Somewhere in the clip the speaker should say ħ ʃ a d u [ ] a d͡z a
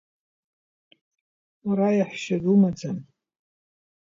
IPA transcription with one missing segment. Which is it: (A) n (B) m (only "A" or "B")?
B